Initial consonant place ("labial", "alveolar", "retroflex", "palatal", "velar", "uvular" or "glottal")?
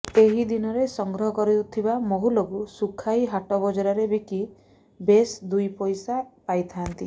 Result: glottal